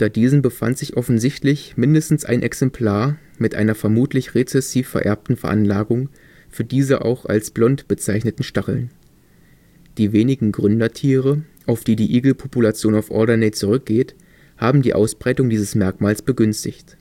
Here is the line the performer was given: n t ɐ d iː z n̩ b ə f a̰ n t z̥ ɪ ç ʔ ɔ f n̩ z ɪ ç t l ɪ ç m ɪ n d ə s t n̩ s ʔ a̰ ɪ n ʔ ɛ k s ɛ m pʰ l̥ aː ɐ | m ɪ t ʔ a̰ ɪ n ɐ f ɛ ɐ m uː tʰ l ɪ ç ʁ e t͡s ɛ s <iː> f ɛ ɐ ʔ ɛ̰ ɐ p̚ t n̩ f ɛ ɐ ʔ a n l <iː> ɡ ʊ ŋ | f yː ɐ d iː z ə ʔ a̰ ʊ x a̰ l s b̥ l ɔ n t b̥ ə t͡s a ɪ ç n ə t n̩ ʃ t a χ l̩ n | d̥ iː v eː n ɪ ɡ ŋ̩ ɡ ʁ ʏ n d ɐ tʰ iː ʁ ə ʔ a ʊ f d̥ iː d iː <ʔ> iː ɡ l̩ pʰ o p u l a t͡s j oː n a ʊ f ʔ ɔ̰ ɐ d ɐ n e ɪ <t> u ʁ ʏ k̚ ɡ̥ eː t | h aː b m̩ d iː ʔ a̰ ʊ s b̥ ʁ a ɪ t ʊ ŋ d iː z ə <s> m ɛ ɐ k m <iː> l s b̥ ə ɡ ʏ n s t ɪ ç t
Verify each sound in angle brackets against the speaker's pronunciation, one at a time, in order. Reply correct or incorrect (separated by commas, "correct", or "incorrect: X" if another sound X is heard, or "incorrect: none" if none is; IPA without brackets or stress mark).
correct, incorrect: aː, correct, incorrect: t͡s, correct, incorrect: aː